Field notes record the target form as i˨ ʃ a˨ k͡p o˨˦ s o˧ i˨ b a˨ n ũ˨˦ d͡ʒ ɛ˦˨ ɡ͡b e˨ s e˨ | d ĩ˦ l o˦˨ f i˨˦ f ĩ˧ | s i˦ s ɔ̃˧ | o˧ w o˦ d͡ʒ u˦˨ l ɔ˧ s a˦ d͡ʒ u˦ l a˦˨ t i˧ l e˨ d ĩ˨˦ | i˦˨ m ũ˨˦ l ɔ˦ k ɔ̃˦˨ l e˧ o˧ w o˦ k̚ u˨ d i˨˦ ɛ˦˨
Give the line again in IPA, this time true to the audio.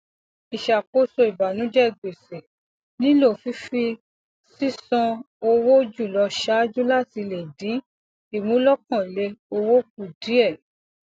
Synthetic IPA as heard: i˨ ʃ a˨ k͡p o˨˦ s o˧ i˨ b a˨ n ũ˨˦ d͡ʒ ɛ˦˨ ɡ͡b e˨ s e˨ | n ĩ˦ l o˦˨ f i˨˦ f i˧ | s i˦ s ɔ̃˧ | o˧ w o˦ d͡ʒ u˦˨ l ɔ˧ ʃ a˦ d͡ʒ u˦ l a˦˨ t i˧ l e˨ d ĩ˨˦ | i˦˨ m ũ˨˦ l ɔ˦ k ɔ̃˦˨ l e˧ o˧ w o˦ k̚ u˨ d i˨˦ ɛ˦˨

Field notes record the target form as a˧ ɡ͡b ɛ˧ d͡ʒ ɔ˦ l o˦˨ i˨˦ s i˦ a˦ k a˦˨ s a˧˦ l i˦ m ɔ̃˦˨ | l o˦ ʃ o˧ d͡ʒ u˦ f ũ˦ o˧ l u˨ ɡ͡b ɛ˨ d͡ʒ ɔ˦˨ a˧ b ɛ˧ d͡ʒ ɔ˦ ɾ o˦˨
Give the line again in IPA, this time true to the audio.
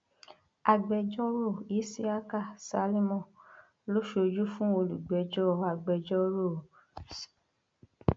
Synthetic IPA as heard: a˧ ɡ͡b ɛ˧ d͡ʒ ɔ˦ ɾ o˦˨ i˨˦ s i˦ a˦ k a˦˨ s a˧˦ l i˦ m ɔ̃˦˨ | l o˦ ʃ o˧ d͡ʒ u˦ f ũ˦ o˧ l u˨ ɡ͡b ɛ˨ d͡ʒ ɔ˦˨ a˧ ɡ͡b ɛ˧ d͡ʒ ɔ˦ ɾ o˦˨

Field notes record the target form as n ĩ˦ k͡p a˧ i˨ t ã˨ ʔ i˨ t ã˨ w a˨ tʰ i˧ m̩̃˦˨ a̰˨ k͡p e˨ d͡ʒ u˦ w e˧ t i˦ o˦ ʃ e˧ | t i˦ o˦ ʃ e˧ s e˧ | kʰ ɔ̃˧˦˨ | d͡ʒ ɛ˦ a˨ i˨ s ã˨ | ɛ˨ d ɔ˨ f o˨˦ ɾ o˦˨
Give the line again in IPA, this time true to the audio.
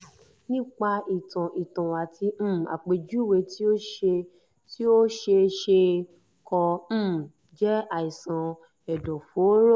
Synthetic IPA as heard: n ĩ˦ k͡p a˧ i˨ t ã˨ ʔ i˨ t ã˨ w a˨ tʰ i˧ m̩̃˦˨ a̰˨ k͡p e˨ d͡ʒ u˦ w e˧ t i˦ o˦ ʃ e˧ | t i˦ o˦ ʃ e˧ ʃ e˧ | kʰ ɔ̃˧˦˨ | d͡ʒ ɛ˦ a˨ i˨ s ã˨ | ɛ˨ d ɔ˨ f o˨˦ ɾ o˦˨

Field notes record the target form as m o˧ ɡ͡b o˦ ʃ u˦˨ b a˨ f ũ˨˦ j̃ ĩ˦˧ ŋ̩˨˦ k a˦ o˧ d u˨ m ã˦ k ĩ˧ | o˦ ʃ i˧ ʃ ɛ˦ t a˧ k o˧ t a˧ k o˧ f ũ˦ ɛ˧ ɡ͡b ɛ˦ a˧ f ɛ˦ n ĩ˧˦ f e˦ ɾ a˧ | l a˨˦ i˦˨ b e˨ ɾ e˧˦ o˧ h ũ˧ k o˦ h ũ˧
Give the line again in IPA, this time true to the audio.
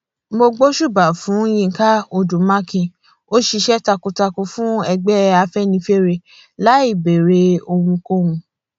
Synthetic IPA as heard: m o˧ ɡ͡b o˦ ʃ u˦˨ b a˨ f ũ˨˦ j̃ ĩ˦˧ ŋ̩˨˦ k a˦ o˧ d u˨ m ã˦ k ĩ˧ | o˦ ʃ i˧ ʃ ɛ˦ t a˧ k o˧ t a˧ k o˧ f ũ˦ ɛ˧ ɡ͡b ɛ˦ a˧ f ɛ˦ n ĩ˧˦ f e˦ ɾ e˧ | l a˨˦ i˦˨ b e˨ ɾ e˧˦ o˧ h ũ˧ k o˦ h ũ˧

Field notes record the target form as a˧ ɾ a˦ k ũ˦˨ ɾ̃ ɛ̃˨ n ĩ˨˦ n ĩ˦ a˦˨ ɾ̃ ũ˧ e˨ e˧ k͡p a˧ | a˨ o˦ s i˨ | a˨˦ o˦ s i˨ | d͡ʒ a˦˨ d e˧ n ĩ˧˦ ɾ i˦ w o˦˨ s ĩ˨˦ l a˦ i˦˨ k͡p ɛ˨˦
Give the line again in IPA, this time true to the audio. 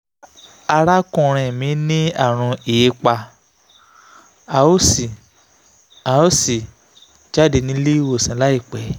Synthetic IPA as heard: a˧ ɾ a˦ k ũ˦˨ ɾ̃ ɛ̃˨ m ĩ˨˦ n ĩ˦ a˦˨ ɾ̃ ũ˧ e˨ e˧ k͡p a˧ | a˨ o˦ s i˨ | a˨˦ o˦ s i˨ | d͡ʒ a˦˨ d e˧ n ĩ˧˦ l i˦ w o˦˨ s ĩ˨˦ l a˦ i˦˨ k͡p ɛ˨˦

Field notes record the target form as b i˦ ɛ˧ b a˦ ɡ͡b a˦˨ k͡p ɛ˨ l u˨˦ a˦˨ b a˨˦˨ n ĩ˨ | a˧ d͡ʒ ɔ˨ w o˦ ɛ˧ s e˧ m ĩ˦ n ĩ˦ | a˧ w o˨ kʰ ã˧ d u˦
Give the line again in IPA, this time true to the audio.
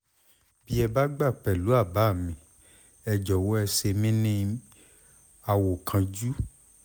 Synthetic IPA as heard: b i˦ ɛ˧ b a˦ ɡ͡b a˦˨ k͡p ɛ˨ l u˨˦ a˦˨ b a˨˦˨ m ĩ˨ | ɛ˧ d͡ʒ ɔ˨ w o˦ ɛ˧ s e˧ m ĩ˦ n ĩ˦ | a˧ w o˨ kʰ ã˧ d͡ʒ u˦

